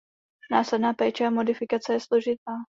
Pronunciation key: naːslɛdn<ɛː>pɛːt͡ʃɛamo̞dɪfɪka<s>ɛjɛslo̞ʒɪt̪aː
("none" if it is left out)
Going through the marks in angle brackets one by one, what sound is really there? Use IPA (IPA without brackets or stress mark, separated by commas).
aː, t͡s